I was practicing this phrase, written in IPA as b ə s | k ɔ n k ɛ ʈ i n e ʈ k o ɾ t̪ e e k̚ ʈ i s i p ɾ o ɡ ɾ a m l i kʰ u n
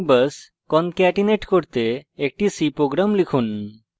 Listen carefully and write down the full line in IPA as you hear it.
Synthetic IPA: b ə s | k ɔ n k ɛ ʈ i n e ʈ k o ɾ t̪ e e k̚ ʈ i s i p ɾ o ɡ ɾ a m l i kʰ u n